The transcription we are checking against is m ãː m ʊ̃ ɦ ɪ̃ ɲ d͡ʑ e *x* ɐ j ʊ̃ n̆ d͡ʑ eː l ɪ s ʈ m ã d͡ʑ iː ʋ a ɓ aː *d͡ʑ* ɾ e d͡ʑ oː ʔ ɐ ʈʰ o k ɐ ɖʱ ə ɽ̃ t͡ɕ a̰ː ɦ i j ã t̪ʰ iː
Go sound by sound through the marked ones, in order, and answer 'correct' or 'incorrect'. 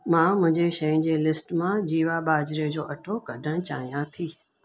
incorrect, correct

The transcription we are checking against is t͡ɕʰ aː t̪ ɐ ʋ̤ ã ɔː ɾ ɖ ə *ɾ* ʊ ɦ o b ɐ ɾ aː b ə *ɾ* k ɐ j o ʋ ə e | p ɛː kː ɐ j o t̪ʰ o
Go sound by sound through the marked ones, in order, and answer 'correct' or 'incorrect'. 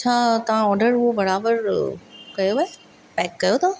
correct, correct

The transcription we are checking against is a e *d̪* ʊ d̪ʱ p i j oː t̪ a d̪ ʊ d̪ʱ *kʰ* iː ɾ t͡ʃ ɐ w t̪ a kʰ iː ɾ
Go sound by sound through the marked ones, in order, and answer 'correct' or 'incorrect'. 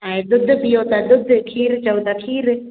correct, correct

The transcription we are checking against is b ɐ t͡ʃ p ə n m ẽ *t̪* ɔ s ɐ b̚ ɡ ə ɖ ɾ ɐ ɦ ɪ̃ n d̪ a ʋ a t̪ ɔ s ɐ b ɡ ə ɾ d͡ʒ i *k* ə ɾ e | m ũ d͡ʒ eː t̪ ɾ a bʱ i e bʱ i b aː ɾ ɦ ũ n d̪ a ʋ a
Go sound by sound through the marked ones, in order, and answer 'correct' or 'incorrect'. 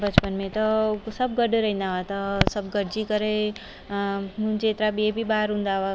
correct, correct

